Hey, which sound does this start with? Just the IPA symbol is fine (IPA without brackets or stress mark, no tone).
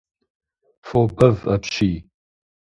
f